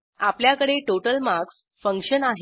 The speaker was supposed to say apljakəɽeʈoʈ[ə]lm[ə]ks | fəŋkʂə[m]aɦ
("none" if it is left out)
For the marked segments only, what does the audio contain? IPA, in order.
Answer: ə, a, n

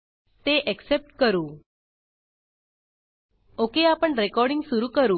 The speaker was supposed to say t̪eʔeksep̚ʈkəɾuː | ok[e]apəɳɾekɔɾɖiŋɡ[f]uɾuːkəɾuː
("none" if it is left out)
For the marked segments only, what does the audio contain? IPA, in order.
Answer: e, s

